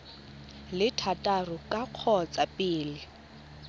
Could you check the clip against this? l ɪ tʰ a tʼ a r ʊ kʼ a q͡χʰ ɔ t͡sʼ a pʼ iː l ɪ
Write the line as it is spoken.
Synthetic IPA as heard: l ɪ tʰ a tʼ a r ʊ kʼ a q͡χʰ ɔ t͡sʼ a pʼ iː l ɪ